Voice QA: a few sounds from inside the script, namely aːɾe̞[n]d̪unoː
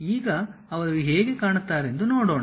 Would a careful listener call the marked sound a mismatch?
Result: no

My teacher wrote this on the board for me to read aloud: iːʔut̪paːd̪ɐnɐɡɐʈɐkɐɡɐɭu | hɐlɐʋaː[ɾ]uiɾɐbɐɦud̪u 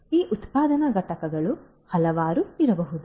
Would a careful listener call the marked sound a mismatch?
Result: no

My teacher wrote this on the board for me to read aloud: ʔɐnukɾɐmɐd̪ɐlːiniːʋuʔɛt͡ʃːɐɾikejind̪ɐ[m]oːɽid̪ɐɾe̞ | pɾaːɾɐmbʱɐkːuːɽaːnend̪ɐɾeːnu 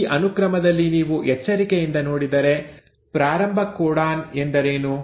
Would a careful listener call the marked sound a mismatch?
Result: yes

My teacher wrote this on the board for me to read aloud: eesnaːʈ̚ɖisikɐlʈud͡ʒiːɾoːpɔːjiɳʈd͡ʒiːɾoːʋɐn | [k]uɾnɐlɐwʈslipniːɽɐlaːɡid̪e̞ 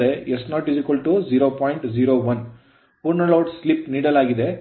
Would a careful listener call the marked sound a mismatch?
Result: yes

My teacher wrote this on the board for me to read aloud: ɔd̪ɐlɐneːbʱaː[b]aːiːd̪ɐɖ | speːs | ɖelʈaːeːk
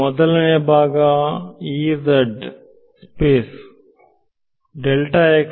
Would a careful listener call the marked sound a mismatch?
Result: yes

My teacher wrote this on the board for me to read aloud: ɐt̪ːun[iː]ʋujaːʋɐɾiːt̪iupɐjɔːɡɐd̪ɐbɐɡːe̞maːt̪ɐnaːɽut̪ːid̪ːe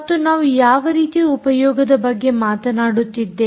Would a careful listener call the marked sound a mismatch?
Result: yes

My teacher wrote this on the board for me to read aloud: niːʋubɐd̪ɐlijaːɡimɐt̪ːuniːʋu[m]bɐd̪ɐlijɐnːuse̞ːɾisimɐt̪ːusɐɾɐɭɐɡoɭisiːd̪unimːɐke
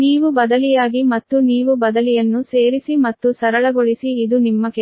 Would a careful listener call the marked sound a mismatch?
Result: yes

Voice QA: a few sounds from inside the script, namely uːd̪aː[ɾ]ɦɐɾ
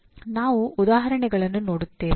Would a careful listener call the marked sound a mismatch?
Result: yes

